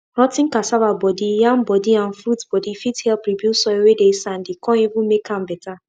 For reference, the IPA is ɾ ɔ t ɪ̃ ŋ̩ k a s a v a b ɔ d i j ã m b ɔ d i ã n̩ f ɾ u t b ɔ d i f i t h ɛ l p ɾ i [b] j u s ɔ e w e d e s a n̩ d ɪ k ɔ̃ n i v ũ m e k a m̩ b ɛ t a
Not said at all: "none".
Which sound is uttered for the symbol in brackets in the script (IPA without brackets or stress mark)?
b